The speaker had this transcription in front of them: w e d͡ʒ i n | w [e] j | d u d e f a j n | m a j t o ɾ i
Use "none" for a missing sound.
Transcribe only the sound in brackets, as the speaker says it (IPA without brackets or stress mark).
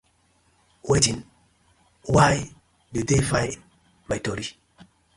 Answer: a